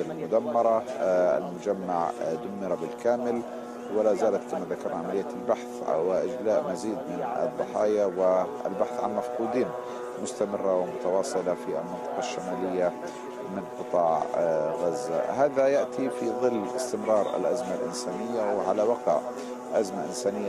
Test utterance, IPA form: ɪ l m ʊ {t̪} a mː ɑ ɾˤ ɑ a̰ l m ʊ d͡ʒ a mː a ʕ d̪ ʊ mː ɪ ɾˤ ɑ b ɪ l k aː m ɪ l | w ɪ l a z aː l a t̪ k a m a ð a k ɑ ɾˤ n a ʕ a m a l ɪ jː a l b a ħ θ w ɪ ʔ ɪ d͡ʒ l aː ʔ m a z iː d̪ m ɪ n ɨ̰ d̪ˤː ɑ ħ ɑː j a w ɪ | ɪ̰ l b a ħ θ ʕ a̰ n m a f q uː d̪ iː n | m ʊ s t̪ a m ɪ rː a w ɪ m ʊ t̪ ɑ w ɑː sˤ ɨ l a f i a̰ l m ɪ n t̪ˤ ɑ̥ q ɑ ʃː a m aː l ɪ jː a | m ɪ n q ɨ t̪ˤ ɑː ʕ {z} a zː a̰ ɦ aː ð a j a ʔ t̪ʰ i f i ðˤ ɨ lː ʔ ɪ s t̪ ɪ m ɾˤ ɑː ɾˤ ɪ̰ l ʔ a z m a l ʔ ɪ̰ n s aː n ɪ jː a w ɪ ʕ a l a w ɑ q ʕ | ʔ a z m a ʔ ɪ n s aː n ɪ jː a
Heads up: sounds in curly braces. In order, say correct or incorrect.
incorrect: d̪, incorrect: ɣ

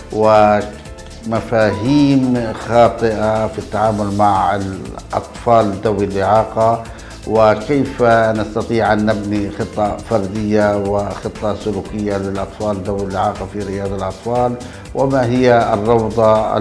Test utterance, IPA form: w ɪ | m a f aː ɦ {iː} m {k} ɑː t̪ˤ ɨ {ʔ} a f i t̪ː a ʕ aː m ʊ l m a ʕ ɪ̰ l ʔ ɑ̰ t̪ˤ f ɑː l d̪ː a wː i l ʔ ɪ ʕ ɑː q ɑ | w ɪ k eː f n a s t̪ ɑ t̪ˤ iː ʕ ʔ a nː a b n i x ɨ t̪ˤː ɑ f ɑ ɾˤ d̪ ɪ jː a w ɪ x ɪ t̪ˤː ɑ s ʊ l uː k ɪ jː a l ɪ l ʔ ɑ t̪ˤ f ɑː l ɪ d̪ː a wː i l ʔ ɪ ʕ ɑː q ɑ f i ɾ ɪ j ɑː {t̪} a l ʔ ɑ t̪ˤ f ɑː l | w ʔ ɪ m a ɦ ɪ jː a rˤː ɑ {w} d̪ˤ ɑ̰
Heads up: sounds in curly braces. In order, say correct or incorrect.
correct, incorrect: x, correct, incorrect: d̪, correct

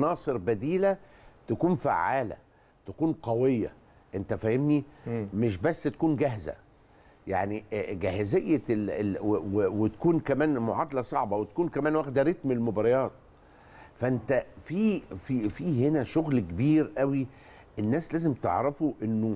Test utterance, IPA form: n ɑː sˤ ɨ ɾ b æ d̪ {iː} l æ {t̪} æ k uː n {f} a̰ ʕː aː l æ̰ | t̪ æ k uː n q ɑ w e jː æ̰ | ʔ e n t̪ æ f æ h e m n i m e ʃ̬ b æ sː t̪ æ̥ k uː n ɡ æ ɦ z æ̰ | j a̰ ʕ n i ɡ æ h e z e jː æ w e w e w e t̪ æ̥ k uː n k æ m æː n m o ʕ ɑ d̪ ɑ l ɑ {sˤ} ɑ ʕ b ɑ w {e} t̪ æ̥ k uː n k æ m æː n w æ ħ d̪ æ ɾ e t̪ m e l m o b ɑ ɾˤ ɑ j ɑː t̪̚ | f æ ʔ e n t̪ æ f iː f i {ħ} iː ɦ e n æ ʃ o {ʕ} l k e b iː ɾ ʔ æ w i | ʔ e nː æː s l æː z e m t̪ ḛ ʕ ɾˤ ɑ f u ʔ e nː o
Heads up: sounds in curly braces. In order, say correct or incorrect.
correct, correct, correct, correct, correct, incorrect: f, incorrect: ɣ

